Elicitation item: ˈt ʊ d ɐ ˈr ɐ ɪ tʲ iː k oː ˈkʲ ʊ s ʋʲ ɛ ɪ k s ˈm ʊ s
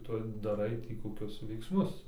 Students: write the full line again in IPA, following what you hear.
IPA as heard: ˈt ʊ d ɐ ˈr ɐ ɪ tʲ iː k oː ˈkʲ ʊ s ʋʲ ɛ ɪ k s ˈm ʊ s

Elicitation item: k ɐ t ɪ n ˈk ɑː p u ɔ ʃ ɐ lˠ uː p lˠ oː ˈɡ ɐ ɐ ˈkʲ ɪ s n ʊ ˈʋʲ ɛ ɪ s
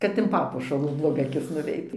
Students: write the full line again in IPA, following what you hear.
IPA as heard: k ɐ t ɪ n ˈp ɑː p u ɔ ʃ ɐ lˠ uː b lˠ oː ˈɡ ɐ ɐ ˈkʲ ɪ s n ʊ ˈʋʲ ɛ ɪ t

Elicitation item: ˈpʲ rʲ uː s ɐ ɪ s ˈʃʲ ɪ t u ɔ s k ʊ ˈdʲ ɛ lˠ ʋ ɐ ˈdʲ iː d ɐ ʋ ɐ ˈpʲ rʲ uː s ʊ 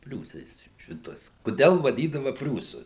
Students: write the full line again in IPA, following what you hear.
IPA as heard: ˈpʲ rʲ uː s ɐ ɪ s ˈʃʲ ɪ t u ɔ s k ʊ ˈdʲ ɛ lˠ ʋ ɐ ˈdʲ iː d ɐ ʋ ɐ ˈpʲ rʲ uː s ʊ

